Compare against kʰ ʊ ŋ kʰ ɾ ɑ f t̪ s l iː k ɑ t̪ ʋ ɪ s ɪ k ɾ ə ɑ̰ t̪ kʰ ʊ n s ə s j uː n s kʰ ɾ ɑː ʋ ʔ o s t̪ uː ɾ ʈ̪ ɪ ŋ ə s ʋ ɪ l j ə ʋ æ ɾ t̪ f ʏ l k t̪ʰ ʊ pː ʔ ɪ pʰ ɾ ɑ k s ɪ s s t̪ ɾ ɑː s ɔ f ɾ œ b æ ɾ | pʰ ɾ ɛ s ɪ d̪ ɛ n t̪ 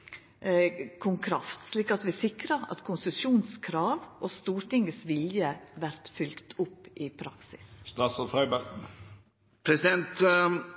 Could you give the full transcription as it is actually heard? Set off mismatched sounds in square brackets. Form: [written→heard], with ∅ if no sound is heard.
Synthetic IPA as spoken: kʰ ʊ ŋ kʰ ɾ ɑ f t̪ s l iː k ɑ t̪ ʋ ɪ s ɪ k ɾ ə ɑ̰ t̪ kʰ ʊ n s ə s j uː n s kʰ ɾ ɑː ʋ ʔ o s t̪ uː ɾ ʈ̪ ɪ ŋ ə s ʋ ɪ l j ə ʋ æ ɾ t̪ f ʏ l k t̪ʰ ʊ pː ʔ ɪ pʰ ɾ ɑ k s ɪ s s t̪ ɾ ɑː s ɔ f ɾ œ b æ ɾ | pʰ ɾ ɛ s ɪ d̪ ɛ n t̪